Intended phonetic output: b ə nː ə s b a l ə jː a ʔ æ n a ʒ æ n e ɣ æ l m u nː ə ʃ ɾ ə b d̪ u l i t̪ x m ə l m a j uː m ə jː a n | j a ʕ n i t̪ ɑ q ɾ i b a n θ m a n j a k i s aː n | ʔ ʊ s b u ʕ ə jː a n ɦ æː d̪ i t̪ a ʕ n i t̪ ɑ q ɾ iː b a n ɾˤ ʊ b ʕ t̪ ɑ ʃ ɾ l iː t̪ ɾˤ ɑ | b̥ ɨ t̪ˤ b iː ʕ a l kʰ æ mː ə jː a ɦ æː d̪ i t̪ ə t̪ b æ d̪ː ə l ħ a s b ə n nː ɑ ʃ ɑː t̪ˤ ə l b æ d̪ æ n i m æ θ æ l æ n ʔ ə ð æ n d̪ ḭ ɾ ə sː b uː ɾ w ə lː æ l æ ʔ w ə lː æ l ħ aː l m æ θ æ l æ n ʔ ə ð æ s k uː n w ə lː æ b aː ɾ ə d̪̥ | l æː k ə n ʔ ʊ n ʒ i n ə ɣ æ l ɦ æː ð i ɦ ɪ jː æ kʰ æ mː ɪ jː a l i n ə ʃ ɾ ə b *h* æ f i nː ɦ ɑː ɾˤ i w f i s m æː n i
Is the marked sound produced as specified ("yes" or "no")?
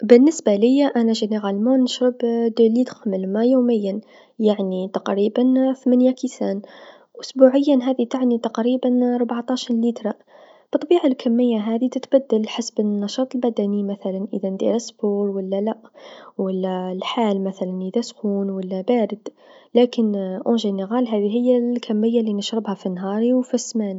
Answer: yes